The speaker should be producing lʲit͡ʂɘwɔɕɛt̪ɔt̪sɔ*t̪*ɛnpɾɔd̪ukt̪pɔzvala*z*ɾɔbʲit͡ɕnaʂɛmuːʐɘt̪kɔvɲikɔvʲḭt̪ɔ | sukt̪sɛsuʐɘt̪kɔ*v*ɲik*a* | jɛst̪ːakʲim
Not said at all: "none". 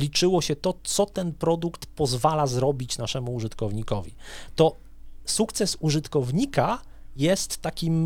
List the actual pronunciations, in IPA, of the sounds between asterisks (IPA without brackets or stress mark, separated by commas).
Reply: t̪, z, v, a